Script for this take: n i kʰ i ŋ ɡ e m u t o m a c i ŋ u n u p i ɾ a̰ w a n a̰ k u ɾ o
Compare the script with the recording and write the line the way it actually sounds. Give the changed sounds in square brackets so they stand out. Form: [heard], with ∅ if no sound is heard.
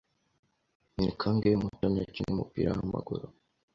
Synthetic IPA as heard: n i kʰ [a] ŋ ɡ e m u t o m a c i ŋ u [m] u p i ɾ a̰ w a [m] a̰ [ɡ] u ɾ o